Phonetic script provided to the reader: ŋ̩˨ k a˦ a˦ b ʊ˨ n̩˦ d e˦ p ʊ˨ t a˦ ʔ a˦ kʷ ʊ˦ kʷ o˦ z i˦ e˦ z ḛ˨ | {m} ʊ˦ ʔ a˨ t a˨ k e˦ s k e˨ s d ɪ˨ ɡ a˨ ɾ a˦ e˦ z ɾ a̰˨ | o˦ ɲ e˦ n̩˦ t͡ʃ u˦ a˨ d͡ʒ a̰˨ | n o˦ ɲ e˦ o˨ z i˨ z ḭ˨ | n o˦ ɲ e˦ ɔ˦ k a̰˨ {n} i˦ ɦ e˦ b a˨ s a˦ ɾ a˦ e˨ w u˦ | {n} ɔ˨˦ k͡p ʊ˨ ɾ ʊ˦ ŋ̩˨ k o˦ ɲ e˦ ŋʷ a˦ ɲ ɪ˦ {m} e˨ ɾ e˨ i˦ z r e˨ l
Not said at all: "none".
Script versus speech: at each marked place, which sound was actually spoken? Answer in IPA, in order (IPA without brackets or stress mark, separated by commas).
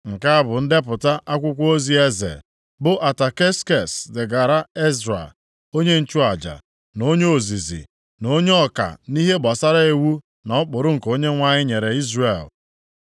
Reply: b, n, n, ɲ